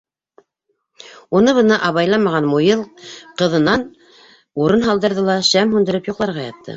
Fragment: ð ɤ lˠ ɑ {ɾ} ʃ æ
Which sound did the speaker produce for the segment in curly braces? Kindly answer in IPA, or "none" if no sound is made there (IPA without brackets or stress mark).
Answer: none